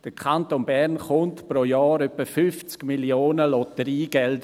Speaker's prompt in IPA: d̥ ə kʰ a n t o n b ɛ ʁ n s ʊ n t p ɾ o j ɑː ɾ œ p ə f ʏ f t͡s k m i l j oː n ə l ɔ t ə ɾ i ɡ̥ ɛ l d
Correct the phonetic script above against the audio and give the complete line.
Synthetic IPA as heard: d̥ ə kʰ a n t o n b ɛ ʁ n χ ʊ n t p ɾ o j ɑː ɾ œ p ə f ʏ f t͡s k m i l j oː n ə l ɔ t ə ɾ iː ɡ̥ ɛ l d